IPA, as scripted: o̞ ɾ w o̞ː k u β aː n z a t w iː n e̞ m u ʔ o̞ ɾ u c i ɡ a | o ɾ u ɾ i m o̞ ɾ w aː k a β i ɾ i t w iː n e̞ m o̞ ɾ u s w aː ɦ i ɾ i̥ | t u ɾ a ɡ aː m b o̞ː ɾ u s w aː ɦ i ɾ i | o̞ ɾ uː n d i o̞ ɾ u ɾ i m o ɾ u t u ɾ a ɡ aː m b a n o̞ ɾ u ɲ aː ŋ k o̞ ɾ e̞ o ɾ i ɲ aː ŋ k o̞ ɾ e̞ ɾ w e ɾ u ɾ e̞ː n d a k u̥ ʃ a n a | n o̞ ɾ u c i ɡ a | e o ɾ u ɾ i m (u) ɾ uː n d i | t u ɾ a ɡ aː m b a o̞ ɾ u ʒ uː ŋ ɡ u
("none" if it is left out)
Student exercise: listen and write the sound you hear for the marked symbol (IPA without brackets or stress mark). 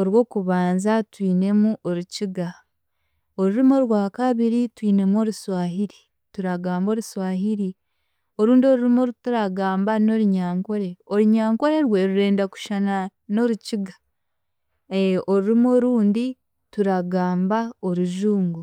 o